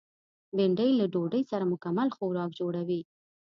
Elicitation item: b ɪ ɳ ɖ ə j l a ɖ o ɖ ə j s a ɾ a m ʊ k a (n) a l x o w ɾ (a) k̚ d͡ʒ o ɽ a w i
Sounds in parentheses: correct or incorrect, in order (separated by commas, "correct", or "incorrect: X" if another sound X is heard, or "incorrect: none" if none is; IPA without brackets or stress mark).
incorrect: m, incorrect: ɑ